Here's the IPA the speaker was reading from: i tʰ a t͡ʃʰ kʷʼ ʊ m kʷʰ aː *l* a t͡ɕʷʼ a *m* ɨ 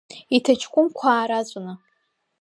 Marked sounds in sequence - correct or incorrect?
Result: incorrect: ɾ, incorrect: n

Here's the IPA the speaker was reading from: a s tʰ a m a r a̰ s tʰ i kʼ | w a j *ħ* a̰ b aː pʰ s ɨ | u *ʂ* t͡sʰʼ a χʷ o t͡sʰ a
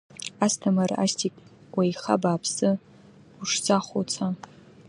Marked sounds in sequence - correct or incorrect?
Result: incorrect: χ, correct

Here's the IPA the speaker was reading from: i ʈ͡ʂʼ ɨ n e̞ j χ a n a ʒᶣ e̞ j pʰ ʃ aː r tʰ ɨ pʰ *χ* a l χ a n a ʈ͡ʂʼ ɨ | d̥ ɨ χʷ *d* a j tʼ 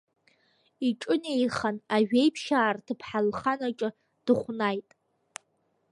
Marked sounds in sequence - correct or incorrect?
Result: incorrect: ħ, incorrect: n

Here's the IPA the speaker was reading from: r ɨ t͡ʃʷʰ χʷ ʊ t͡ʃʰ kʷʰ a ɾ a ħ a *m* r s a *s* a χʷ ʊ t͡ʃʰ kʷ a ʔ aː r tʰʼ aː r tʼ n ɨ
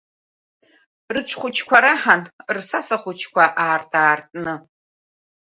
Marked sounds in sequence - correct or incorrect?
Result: incorrect: n, correct

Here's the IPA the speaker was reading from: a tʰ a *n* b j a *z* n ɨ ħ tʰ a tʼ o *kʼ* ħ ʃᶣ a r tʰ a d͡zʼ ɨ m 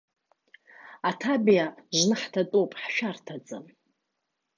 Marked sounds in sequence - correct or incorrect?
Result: incorrect: none, incorrect: ʒ, incorrect: pʼ

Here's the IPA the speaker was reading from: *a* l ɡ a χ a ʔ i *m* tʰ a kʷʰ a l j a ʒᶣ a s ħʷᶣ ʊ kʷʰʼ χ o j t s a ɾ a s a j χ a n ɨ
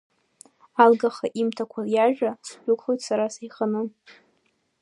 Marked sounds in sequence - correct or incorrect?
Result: correct, correct

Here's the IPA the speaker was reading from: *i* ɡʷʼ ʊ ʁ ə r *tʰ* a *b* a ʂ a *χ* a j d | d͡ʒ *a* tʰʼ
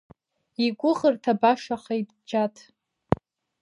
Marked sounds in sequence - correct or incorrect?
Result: correct, correct, correct, correct, correct

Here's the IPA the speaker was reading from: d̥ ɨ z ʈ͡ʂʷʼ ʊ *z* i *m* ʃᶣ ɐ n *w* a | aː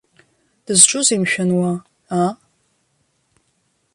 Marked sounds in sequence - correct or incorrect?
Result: correct, correct, correct

